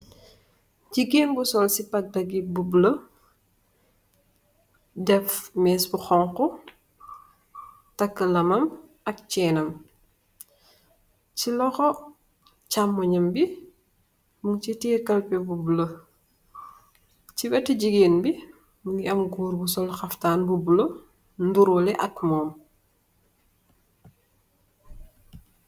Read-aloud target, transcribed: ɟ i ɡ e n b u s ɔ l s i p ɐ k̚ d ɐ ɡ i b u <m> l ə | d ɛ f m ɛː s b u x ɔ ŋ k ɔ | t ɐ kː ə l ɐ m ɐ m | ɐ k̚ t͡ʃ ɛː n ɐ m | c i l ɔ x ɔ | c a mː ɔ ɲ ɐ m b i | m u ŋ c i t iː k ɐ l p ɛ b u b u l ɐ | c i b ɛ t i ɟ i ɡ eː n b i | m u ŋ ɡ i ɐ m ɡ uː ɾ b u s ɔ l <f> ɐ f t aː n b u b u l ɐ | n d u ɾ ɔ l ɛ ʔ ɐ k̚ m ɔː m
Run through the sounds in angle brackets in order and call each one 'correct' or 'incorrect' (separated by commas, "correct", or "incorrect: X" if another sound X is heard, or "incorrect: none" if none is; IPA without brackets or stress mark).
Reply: incorrect: b, incorrect: x